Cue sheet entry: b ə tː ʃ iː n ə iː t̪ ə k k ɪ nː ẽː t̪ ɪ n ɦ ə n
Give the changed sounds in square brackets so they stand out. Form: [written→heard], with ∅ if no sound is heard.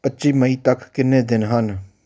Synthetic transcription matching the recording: [b→p] ə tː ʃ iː [n→m] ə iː t̪ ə k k ɪ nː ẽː [t̪→d̪] ɪ n ɦ ə n